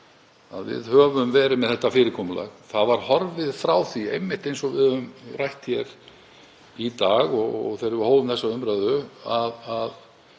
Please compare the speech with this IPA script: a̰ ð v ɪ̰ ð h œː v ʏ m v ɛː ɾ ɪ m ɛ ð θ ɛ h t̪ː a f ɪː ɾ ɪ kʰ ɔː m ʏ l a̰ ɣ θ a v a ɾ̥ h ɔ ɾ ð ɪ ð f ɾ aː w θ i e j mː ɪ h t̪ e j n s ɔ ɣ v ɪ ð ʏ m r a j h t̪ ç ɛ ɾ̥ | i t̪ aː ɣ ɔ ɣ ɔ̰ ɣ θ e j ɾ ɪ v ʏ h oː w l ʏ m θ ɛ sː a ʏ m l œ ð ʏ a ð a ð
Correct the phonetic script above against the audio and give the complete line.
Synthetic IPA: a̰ ð v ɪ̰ ð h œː v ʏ m v ɛː ɾ ɪ m ɛ ð θ ɛ h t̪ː a f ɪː ɾ ɪ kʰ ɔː m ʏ l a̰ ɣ θ a v a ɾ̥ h ɔ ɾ v ɪ ð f ɾ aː w θ i e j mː ɪ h t̪ e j n s ɔ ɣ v ɪ ð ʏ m r a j h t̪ ç ɛ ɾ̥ | i t̪ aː ɣ ɔ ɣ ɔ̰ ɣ θ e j ɾ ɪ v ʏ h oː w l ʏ m θ ɛ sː a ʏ m ɾ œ ð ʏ a ð a ð